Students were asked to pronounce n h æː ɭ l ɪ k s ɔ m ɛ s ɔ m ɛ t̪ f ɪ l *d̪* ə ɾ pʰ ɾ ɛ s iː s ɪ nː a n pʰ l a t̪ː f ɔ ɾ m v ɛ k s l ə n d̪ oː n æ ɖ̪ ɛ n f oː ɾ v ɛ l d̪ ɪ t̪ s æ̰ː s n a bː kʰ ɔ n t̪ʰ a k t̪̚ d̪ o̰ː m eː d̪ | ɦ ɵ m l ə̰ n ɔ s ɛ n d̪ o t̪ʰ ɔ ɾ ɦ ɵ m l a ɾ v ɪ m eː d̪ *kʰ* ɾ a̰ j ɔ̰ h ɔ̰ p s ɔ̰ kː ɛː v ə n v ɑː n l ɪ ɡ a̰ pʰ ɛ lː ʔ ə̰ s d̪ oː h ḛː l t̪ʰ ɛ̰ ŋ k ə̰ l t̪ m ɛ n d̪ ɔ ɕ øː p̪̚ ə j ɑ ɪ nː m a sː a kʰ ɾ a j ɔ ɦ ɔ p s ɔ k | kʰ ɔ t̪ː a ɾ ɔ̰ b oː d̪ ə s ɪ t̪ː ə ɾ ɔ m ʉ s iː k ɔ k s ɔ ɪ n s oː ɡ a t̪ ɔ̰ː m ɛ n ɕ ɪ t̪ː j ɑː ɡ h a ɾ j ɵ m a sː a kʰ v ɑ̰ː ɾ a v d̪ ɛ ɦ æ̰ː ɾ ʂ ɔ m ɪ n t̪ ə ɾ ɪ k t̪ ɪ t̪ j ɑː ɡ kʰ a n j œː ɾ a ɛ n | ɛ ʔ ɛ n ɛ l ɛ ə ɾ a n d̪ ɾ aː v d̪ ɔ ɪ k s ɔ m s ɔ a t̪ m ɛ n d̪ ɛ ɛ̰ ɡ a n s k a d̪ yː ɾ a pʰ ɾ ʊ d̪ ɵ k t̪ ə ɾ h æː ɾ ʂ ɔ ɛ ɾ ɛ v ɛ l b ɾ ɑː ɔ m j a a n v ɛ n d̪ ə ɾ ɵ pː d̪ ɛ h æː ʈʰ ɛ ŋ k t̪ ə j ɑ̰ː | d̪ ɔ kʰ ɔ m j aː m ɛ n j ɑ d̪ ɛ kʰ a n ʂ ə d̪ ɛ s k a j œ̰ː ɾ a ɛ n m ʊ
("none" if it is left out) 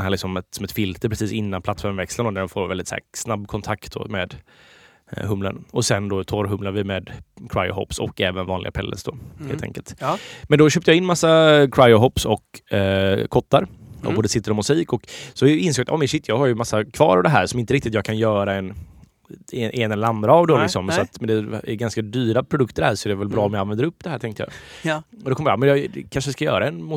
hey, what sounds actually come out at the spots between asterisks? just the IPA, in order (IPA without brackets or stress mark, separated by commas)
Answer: t̪, kʰ